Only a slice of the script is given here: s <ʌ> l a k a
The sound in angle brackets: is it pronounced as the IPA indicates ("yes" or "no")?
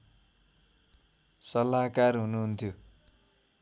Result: yes